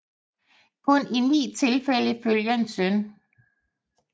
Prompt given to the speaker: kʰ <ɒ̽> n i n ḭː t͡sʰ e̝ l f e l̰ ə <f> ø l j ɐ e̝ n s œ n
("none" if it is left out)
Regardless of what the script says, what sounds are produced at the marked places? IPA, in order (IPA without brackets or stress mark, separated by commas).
ɔ̽, f